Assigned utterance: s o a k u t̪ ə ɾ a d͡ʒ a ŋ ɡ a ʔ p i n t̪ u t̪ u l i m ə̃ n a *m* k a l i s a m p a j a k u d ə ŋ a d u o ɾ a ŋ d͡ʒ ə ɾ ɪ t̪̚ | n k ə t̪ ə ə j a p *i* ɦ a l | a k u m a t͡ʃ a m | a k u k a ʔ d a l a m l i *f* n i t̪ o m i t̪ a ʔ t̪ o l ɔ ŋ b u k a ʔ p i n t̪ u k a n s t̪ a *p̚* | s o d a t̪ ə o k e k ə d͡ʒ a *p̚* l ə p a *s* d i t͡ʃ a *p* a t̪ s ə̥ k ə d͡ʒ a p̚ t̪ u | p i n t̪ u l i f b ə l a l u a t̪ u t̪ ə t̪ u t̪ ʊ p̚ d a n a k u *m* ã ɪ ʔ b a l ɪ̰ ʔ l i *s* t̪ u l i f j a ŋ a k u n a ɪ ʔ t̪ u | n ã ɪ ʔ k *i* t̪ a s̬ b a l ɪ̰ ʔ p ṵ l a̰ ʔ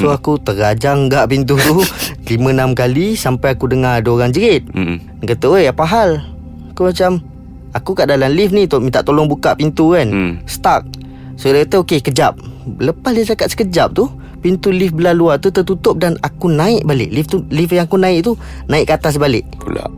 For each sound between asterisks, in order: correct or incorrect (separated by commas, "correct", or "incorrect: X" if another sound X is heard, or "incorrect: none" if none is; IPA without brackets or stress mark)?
correct, incorrect: a, correct, incorrect: k̚, correct, correct, incorrect: k, incorrect: n, incorrect: f, incorrect: a